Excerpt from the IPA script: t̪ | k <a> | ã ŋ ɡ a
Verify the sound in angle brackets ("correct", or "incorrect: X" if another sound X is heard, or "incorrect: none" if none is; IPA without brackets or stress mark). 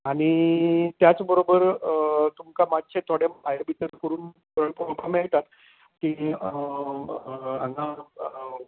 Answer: incorrect: i